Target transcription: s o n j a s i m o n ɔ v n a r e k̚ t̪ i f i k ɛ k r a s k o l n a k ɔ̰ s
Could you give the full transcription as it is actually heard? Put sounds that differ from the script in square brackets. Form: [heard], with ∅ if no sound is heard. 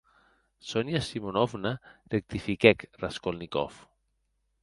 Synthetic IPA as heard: s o n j a s i m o n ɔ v n a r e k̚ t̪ i f i k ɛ k r a s k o l n [i] k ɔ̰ [f]

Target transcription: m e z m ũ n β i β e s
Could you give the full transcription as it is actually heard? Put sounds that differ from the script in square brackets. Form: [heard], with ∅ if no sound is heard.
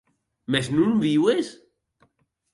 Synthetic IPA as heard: m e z [n] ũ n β i [w] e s

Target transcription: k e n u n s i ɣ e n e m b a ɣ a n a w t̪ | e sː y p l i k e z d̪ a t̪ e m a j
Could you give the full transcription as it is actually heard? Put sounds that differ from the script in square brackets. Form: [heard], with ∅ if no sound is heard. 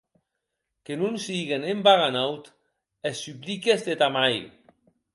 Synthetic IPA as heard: k e n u n s i ɣ e n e m b a ɣ a n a w t̪ | e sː y p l i k e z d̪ [e] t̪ [a] m a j

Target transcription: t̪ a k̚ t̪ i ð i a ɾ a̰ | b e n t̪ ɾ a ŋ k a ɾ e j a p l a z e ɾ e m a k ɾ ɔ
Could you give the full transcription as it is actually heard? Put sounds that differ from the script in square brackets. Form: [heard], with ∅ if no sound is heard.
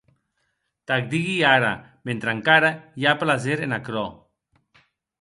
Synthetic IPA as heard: t̪ a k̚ [d̪] i [ɣ] i a ɾ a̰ | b e n t̪ ɾ a ŋ k a ɾ [a] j a p l a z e ɾ e [n] a k ɾ ɔ

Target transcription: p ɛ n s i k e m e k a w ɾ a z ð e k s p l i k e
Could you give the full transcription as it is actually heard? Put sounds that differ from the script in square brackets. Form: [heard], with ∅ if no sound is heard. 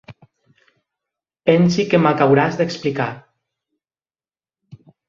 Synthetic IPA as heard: p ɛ n s i k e m [a] k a w ɾ a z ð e k s p l i k [a]

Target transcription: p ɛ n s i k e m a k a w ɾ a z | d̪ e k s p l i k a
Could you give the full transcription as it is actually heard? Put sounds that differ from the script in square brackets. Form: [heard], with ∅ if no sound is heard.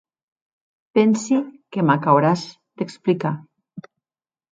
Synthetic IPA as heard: p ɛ n s i k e m a k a w ɾ a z | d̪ e k s p l i k a

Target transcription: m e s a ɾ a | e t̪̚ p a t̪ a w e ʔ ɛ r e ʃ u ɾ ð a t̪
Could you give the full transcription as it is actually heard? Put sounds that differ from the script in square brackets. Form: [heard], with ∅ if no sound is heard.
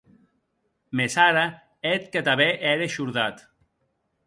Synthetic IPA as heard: m e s a ɾ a | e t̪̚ [k] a t̪ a [β] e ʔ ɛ [ɾ] e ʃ u ɾ ð a t̪

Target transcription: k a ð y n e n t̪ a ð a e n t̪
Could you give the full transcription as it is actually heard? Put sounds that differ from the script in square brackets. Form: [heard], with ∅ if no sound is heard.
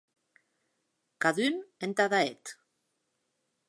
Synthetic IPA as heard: k a ð y n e n t̪ a ð a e [∅] t̪

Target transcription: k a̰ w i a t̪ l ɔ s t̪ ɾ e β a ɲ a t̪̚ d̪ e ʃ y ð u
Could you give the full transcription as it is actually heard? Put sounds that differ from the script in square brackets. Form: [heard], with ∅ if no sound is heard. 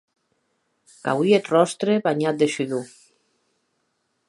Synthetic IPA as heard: k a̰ w i [e] t̪ [r] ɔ s t̪ ɾ e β a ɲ a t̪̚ d̪ e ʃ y ð u

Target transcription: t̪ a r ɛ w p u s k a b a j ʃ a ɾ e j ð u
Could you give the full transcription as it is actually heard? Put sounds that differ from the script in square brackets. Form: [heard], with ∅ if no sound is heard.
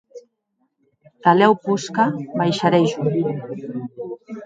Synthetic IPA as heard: t̪ a [l] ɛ w p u s k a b a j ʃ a ɾ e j [ʒ] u

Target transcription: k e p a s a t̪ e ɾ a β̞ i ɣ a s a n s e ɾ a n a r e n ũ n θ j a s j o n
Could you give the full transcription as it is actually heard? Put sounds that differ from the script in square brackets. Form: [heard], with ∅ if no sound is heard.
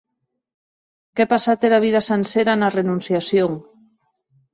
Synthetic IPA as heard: k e p a s a t̪ e ɾ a β̞ i [ð] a s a n s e ɾ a n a r e n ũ n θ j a s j o [ŋ]

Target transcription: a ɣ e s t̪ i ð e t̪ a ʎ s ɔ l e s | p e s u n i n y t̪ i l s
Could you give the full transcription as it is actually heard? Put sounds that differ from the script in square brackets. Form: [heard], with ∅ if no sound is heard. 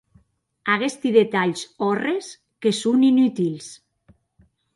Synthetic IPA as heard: a ɣ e s t̪ i ð e t̪ a ʎ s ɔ [r] e s | [k] e s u n i n y t̪ i l s

